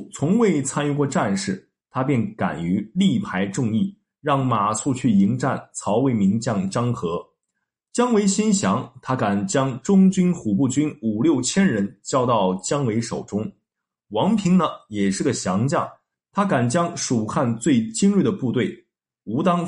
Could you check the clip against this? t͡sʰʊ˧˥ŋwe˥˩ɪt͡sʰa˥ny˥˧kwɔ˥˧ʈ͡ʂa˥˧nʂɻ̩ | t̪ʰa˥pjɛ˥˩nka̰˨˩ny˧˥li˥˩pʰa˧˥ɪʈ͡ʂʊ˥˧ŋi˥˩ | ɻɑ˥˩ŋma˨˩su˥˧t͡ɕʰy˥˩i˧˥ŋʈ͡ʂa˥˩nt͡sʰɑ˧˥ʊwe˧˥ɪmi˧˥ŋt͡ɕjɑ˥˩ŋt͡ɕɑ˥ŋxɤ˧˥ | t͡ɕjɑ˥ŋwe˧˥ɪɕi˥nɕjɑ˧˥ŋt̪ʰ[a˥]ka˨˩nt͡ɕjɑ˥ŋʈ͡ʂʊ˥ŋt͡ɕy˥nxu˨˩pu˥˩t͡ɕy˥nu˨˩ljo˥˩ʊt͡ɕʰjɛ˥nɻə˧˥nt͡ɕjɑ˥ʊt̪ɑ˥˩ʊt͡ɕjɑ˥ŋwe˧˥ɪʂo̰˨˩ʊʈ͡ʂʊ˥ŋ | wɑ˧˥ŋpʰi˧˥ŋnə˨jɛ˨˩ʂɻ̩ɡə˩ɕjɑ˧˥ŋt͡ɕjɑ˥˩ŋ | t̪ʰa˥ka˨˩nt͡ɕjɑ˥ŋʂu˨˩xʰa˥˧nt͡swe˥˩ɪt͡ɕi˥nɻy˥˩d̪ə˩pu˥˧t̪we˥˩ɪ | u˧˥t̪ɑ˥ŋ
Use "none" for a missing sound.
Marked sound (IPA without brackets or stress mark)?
a˥